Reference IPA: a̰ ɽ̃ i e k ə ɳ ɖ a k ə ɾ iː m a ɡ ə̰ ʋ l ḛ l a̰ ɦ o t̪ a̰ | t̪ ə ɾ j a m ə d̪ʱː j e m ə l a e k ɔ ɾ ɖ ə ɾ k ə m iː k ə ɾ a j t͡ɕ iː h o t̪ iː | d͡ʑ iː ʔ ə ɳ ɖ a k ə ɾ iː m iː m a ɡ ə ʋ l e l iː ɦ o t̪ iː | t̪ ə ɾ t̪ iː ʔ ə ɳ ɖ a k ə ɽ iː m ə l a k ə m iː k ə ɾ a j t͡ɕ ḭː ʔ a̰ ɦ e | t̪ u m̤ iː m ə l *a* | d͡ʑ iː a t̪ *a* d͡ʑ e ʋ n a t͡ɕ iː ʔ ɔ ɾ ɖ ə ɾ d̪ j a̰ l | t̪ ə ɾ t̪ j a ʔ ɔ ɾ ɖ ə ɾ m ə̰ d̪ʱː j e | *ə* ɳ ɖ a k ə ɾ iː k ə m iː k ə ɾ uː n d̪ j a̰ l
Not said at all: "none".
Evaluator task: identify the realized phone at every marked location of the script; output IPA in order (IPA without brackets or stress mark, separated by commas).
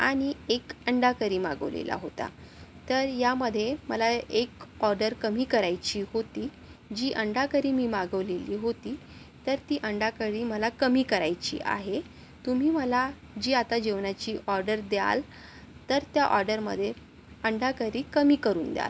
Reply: a, a, ə